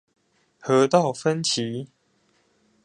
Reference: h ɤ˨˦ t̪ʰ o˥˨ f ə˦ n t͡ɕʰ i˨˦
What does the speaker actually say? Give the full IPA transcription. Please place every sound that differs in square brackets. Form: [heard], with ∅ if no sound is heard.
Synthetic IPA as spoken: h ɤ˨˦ [t̪] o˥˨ f ə˦ n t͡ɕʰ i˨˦